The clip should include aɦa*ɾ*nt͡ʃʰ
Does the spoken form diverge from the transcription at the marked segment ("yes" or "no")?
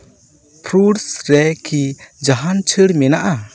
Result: yes